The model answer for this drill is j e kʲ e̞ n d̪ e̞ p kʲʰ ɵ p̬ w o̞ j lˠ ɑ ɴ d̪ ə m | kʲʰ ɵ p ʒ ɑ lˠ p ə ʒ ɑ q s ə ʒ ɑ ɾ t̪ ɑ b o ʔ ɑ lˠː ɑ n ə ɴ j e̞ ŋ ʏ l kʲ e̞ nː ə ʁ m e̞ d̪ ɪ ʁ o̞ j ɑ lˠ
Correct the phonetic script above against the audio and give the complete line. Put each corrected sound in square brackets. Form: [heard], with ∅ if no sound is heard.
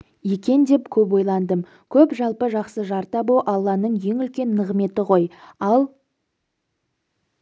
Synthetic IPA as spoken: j e kʲ e̞ n d̪ e̞ p kʲʰ ɵ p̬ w o̞ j lˠ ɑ [n] d̪ ə m | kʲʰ ɵ p ʒ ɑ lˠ p ə ʒ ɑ q s ə ʒ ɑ ɾ t̪ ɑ b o ʔ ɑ lˠː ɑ n ə ɴ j e̞ ŋ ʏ l kʲ e̞ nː ə ʁ m e̞ [t̪] ɪ ʁ o̞ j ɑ lˠ

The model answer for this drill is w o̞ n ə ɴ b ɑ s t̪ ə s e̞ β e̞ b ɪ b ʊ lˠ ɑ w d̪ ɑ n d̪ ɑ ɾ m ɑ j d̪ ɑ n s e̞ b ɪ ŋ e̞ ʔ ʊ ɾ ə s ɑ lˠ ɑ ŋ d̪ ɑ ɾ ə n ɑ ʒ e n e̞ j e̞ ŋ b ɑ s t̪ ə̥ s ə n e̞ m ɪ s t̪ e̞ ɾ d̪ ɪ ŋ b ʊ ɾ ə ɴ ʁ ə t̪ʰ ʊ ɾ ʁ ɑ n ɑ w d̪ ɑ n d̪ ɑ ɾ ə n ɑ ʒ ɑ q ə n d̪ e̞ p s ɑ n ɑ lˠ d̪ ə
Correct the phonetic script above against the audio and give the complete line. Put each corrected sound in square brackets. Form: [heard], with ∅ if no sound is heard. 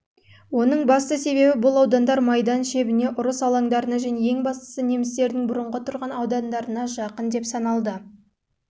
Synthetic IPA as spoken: w o̞ n ə ɴ b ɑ s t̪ ə s e̞ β e̞ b ɪ b ʊ lˠ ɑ w d̪ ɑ n d̪ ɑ ɾ m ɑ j d̪ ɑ n [ʃ] e̞ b ɪ [n] e̞ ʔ ʊ ɾ ə s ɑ lˠ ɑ ŋ d̪ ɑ ɾ ə n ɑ ʒ [æ] n e̞ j e̞ ŋ b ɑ s t̪ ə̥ s ə n e̞ m ɪ s t̪ e̞ ɾ d̪ ɪ ŋ b ʊ ɾ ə ɴ ʁ ə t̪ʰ ʊ ɾ ʁ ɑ n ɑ w d̪ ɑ n d̪ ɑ ɾ ə n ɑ ʒ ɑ q ə n d̪ e̞ p s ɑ n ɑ lˠ d̪ ə

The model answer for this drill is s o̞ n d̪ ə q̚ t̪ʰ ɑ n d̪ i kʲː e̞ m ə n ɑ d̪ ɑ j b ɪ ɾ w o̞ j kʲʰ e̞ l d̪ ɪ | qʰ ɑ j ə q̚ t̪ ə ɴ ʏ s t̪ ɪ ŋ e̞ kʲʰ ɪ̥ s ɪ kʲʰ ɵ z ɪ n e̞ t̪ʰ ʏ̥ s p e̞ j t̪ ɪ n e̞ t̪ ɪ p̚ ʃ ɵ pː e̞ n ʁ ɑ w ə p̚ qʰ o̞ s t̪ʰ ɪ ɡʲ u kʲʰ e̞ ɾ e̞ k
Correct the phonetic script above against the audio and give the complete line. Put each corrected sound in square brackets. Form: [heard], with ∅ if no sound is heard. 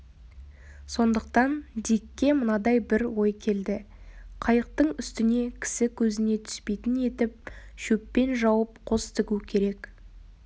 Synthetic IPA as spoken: s o̞ n d̪ ə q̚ [t̪] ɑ n d̪ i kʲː e̞ m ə n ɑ d̪ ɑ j b ɪ ɾ w o̞ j kʲʰ e̞ l d̪ ɪ | qʰ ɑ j ə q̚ t̪ ə ɴ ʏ s t̪ ɪ [n] e̞ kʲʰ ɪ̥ s ɪ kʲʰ ɵ z ɪ n e̞ t̪ʰ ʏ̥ s p e̞ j t̪ ɪ n e̞ t̪ ɪ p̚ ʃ ɵ pː e̞ n [ʒ] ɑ w ə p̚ qʰ o̞ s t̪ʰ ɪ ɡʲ u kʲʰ e̞ ɾ e̞ k

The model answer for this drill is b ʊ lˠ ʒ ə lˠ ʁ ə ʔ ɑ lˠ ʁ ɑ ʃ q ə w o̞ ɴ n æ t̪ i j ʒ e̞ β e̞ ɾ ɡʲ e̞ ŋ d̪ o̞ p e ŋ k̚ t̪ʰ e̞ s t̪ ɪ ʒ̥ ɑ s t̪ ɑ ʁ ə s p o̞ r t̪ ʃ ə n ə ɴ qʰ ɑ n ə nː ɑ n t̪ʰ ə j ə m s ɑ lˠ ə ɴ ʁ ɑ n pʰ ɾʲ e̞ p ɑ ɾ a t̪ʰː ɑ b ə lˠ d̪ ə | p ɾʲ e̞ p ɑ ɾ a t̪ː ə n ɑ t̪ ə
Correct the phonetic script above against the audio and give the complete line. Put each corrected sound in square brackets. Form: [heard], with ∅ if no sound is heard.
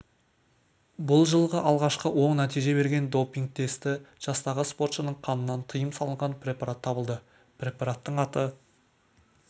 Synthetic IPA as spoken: b ʊ lˠ ʒ ə lˠ ʁ ə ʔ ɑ lˠ ʁ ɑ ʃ q ə w o̞ ɴ n æ t̪ i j ʒ e̞ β e̞ ɾ ɡʲ e̞ [n] d̪ o̞ p [i] ŋ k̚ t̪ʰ e̞ s t̪ ɪ ʒ̥ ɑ s t̪ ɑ ʁ ə s p o̞ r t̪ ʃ ə n ə ɴ qʰ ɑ n ə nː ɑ n t̪ʰ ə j ə m s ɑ lˠ ə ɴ ʁ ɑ n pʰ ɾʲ e̞ p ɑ ɾ a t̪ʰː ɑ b ə lˠ d̪ ə | p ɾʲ e̞ p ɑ ɾ a t̪ː ə [ɴ] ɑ t̪ ə

